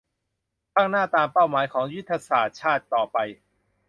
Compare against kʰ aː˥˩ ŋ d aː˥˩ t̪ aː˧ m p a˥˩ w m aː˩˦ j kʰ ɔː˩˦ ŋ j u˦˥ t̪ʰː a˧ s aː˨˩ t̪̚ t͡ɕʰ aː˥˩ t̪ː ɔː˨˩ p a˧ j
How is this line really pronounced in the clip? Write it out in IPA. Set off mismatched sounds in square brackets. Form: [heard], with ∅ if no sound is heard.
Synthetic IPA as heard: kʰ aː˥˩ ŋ [n] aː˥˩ t̪ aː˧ m p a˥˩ w m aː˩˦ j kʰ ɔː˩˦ ŋ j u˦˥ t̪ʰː a˧ s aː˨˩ t̪̚ t͡ɕʰ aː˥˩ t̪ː ɔː˨˩ p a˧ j

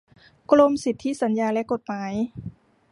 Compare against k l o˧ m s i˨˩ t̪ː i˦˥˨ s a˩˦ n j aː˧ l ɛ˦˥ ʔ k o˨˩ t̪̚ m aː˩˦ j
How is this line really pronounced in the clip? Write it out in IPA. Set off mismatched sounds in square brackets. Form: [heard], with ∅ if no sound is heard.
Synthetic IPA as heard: k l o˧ m s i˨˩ [t̪ʰː] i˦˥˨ s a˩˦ n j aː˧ l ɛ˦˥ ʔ k o˨˩ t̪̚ m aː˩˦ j

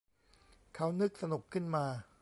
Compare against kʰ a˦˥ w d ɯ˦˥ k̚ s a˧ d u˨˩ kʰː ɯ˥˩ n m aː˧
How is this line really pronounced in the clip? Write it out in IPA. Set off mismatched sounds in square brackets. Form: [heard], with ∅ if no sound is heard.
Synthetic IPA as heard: kʰ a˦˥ w [n] ɯ˦˥ k̚ s a˧ [n] u˨˩ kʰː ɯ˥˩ n m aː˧

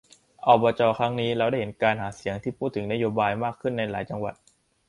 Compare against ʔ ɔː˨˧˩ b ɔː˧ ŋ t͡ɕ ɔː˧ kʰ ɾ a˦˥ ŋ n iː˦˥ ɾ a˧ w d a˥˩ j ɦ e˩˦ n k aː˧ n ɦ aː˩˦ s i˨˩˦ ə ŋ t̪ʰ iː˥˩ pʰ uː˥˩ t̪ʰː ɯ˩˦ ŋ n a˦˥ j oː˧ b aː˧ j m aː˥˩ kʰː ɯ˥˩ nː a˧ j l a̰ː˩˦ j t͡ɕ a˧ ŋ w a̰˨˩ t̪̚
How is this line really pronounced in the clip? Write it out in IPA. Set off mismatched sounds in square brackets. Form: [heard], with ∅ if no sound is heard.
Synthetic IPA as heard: ʔ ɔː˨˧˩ b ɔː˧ [∅] t͡ɕ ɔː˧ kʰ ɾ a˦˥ ŋ n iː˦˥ ɾ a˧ w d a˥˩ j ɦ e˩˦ n k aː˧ n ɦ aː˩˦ s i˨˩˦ ə ŋ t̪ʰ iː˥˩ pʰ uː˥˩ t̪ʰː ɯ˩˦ ŋ n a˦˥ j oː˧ b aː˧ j m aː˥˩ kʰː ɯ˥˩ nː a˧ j l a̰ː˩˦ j t͡ɕ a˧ ŋ w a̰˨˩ t̪̚

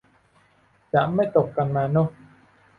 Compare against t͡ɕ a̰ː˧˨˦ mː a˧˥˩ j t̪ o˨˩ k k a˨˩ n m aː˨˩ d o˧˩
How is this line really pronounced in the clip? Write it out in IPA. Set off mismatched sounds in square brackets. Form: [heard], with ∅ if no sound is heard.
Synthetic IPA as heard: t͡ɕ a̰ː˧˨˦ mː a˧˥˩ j t̪ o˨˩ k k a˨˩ n m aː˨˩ [n] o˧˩

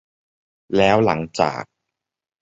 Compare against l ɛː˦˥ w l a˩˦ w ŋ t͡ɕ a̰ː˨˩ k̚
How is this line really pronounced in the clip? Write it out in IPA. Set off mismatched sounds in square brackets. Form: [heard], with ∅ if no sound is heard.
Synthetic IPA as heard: l ɛː˦˥ w l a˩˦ [∅] ŋ t͡ɕ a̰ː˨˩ k̚

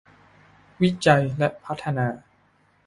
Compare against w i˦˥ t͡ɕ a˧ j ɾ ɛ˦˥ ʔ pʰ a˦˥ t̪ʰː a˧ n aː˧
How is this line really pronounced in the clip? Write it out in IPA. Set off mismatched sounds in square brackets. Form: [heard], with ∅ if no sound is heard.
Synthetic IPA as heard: w i˦˥ t͡ɕ a˧ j [l] ɛ˦˥ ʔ pʰ a˦˥ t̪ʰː a˧ n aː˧

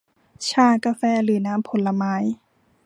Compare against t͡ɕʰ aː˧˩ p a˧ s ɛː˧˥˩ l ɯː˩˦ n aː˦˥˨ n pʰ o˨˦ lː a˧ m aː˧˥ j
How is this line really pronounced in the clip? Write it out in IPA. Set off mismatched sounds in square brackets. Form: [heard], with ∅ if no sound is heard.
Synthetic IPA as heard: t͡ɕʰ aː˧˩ [k] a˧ [f] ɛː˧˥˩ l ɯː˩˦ n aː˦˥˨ [m] pʰ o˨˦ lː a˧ m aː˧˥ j

